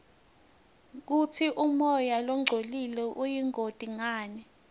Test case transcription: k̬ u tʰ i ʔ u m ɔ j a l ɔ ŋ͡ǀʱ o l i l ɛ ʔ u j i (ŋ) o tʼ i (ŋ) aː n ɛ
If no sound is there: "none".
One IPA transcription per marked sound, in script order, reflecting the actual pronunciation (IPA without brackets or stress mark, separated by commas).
ŋ, ŋ